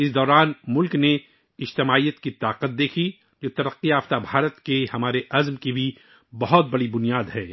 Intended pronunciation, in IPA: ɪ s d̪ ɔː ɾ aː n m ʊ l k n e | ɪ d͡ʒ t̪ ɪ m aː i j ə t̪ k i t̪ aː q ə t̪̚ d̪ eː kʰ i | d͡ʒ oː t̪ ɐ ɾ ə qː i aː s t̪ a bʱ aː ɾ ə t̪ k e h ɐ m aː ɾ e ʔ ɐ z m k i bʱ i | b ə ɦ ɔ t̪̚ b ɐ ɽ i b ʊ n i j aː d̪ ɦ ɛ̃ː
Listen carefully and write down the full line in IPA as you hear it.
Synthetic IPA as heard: ɪ s d̪ ɔː ɾ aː n m ʊ l k n e | ɪ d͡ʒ t̪ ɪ m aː i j ə t̪ k i t̪ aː q ə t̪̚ d̪ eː kʰ i | d͡ʒ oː t̪ ɐ ɾ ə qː i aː f t̪ a bʱ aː ɾ ə t̪ k e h ɐ m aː ɾ e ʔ ɐ z m k i bʱ i | b ɐ ɦ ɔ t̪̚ b ɐ ɽ i b ʊ n i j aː d̪ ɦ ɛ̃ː